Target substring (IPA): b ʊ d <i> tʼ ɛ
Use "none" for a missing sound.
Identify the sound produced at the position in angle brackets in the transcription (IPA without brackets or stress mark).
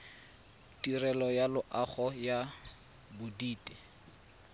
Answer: iː